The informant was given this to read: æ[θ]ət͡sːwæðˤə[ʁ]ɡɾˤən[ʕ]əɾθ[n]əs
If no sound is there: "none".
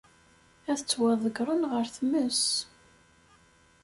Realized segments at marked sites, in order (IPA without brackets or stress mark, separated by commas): θ, none, ʁ, m